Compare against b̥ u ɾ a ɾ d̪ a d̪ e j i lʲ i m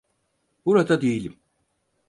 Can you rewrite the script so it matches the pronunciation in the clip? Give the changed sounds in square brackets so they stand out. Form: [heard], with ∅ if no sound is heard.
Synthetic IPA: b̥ u ɾ a [∅] d̪ a d̪ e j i lʲ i m